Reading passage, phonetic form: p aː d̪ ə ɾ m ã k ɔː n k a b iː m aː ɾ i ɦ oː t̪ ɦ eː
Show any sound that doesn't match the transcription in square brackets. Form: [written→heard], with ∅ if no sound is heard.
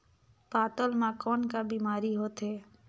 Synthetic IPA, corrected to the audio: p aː [d̪→t̪] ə [ɾ→l] m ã k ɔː n k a b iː m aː ɾ i ɦ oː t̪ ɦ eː